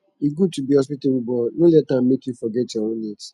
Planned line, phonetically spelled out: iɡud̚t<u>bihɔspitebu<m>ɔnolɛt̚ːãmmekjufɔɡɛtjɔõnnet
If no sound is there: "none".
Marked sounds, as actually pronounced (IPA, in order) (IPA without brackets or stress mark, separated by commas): u, b